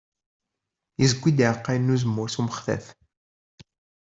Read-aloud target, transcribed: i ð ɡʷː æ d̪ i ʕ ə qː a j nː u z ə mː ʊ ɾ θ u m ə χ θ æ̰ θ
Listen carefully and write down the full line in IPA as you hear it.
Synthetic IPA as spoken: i z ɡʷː i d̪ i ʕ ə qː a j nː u z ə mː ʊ ɾ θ u m ə χ θ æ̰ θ